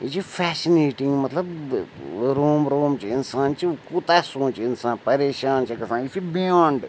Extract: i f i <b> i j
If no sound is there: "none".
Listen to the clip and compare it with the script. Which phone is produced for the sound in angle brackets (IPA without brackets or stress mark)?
b